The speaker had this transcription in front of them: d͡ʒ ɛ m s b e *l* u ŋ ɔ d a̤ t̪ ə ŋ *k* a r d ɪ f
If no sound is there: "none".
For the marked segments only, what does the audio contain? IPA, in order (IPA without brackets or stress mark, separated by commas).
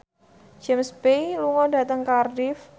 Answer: l, k